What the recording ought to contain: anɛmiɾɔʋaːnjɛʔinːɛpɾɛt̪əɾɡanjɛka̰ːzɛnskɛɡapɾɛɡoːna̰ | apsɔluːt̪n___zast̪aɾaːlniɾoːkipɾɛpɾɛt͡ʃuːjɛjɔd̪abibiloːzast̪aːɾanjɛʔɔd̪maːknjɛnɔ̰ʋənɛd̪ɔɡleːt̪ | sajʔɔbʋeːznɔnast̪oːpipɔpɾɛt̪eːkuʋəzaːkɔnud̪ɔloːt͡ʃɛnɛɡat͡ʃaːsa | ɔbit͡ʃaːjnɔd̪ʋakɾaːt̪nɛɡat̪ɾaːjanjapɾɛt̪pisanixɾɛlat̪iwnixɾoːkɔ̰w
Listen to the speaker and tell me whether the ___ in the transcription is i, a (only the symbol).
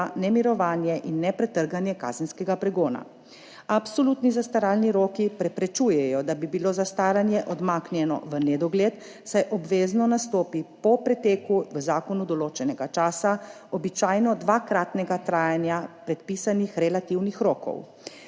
i